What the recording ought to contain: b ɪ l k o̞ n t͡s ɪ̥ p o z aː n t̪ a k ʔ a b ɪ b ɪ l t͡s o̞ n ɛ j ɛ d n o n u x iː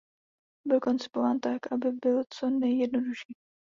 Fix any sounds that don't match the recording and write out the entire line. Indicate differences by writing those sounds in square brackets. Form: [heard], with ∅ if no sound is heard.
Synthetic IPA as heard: b ɪ l k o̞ n t͡s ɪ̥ p o [v] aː n t̪ a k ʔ a b ɪ b ɪ l t͡s o̞ n ɛ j ɛ d n o [d] u [ʃ] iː

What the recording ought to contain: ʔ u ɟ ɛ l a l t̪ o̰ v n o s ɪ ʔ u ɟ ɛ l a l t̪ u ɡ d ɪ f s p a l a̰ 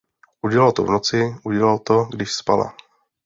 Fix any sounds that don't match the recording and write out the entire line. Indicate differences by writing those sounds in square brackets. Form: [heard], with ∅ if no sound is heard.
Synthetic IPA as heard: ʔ u ɟ ɛ l a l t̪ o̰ v n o [t͡s] ɪ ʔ u ɟ ɛ l a l t̪ [o] ɡ d ɪ [ʃ] s p a l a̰

